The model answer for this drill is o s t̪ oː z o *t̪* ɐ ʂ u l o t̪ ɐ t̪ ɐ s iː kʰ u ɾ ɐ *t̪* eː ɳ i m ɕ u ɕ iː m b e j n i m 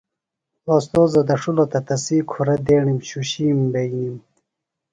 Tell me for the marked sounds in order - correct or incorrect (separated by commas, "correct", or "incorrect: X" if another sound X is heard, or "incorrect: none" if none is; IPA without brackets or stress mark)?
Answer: incorrect: d̪, incorrect: d̪